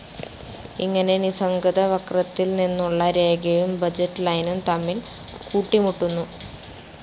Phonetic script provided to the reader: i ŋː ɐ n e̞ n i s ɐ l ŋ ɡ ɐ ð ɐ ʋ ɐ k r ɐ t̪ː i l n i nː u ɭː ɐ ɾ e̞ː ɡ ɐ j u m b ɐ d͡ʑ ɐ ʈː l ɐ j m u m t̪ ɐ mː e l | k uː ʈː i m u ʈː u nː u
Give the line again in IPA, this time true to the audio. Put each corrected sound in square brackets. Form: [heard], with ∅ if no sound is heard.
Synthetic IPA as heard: i ŋː ɐ n e̞ n i s ɐ [∅] ŋ ɡ ɐ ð ɐ ʋ ɐ k r ɐ t̪ː i l n i nː u ɭː ɐ ɾ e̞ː ɡ ɐ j u m b ɐ d͡ʑ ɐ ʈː l ɐ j [n] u m t̪ ɐ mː [i] l | k uː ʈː i m u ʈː u nː u

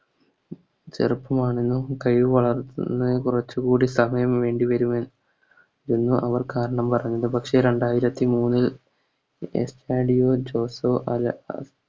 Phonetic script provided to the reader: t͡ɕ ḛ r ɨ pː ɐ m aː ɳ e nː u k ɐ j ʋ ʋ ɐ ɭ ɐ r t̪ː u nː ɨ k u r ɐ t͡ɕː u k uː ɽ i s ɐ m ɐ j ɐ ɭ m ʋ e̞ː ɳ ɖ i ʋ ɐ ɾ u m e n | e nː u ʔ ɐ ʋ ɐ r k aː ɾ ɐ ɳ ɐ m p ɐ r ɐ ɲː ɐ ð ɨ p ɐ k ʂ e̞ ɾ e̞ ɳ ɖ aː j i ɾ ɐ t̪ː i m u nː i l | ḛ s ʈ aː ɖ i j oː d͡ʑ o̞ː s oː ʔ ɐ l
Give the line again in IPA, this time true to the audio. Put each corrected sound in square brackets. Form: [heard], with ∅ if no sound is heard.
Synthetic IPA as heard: t͡ɕ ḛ r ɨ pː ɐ m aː ɳ e nː u k ɐ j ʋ ʋ ɐ ɭ ɐ r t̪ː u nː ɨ k u r ɐ t͡ɕː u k uː ɽ i s ɐ m ɐ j ɐ [∅] m ʋ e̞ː ɳ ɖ i ʋ ɐ ɾ u m e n | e nː u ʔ ɐ ʋ ɐ r k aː ɾ ɐ ɳ ɐ m p ɐ r ɐ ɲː ɐ ð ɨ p ɐ k ʂ e̞ ɾ e̞ ɳ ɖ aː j i ɾ ɐ t̪ː i m [uː] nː i l | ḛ s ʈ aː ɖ i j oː d͡ʑ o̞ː s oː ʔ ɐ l

